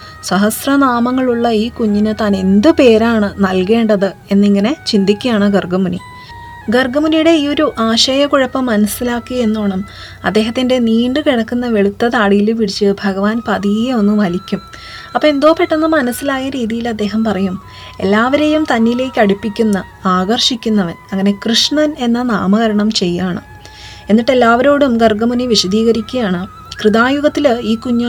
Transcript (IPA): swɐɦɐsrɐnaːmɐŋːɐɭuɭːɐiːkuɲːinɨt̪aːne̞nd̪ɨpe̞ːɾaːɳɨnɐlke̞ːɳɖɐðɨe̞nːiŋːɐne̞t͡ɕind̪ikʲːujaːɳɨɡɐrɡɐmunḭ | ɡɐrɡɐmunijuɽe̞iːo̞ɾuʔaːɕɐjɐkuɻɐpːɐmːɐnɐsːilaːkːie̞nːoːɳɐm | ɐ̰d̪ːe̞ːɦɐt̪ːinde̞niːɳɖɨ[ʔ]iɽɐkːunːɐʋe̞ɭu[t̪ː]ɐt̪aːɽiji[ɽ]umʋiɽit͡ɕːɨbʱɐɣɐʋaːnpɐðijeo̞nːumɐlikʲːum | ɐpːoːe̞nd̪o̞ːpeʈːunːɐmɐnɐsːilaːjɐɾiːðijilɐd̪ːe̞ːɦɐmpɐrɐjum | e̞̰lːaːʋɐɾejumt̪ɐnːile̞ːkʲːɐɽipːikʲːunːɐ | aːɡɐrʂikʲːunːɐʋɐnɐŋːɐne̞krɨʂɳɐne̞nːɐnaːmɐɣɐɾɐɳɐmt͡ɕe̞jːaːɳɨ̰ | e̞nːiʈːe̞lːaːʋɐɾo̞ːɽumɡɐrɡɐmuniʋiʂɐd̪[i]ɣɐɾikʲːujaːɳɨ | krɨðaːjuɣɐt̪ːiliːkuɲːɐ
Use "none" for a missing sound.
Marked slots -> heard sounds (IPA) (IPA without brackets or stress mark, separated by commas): k, t̪ː, l, iː